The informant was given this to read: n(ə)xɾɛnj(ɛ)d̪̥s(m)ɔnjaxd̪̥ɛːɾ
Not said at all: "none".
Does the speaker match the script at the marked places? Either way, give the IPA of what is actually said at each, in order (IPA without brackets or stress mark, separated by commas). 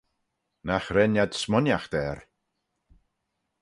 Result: a, a, m